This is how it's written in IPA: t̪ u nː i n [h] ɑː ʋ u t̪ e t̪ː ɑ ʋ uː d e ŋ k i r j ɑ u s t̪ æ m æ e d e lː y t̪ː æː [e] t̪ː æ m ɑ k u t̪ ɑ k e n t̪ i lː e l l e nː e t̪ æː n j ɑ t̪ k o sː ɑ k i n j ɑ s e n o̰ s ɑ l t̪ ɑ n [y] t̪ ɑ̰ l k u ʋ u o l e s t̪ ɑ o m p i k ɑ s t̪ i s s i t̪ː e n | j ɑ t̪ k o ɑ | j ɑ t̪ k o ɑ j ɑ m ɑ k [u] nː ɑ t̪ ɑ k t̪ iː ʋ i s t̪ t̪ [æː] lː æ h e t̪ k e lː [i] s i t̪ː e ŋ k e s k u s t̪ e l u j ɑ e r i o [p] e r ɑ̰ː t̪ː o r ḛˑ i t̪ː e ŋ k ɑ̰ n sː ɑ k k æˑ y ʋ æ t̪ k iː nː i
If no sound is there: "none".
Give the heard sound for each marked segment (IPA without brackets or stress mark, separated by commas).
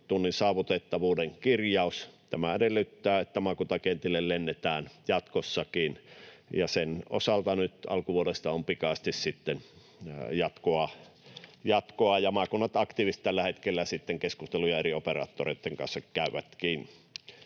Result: s, e, y, u, æ, æ, p